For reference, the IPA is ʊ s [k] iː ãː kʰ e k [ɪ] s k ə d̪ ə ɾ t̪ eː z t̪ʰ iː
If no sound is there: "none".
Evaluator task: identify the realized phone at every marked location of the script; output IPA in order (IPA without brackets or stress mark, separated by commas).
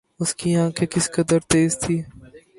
k, ɪ